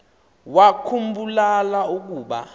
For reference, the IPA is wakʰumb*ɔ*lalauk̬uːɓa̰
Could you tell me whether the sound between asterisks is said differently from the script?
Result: yes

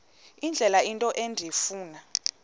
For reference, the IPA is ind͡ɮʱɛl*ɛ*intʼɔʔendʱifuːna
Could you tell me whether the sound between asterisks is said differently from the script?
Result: yes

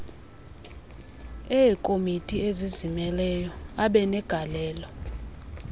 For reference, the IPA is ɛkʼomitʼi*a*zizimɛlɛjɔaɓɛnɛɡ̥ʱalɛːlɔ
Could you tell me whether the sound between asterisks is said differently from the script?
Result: yes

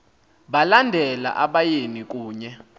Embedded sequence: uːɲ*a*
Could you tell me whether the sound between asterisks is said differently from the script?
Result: yes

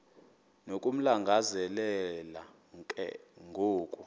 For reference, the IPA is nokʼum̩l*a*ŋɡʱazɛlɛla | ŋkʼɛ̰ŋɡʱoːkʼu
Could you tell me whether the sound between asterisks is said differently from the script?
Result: no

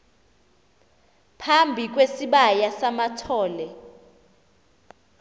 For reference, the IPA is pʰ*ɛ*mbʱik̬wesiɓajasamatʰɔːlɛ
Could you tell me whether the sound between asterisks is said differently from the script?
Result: yes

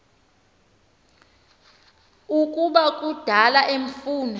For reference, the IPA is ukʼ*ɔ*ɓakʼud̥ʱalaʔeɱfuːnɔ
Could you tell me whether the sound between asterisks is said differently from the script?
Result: yes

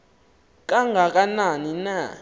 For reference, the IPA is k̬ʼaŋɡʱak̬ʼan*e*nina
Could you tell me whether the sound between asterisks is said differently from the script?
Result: yes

